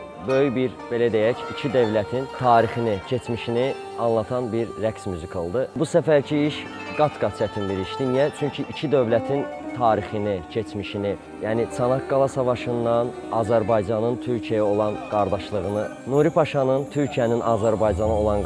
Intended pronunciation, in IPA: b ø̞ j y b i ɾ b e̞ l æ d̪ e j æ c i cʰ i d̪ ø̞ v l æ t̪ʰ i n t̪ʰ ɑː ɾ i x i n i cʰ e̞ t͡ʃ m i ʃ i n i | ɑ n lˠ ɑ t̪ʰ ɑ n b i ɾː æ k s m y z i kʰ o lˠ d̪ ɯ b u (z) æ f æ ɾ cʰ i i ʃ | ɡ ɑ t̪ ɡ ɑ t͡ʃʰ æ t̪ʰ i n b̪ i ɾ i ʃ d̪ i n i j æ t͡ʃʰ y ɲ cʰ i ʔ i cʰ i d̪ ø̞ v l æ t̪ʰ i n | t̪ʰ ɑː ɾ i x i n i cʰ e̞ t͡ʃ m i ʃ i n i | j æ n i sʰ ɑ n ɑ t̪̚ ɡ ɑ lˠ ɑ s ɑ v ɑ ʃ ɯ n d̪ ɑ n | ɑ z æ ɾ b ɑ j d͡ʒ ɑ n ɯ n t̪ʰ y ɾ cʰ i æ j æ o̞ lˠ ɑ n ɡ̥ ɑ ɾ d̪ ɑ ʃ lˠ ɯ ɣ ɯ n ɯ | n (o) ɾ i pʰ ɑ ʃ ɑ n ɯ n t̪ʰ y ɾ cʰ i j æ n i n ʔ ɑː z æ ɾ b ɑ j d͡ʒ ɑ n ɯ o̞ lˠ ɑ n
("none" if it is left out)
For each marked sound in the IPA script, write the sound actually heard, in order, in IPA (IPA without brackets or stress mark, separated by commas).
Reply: s, u